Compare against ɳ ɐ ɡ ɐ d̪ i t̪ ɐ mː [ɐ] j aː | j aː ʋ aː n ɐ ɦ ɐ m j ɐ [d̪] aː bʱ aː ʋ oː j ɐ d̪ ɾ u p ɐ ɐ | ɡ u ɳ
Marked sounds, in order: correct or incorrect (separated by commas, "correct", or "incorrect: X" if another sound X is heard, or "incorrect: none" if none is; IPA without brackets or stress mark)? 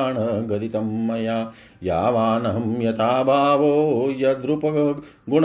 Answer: correct, incorrect: t̪